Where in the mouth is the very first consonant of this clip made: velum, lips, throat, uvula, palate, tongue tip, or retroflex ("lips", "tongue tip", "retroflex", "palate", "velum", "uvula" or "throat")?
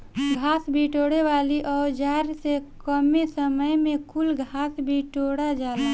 velum